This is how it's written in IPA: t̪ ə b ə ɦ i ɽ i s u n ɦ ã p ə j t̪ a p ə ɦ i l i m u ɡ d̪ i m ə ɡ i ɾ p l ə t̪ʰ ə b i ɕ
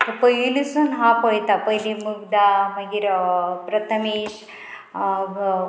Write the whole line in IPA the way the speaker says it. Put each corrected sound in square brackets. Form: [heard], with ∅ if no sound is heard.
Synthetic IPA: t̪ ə [p] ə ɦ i [l] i s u n ɦ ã p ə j t̪ a p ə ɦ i l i m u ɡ d̪ [a] m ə ɡ i ɾ p [ɾ] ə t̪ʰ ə [m] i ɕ